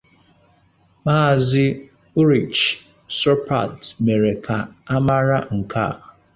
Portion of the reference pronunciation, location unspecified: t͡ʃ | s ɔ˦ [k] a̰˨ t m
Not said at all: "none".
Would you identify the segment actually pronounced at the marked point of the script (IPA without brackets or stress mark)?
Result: p